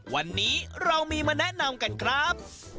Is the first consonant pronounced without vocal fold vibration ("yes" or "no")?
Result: no